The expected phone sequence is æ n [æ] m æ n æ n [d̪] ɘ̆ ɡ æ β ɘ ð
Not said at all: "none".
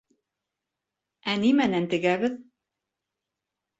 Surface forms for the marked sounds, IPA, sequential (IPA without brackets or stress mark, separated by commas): i, t̪